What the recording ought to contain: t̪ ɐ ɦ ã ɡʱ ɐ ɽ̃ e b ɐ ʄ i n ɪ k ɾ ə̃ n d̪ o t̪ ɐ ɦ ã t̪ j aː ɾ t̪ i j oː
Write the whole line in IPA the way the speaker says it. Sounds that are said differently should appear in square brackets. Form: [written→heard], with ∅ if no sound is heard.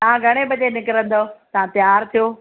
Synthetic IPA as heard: t̪ ɐ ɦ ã ɡʱ ɐ ɽ̃ e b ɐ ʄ [i→e] n ɪ k ɾ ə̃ n d̪ o t̪ ɐ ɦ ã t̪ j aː ɾ [t̪→t̪ʰ] i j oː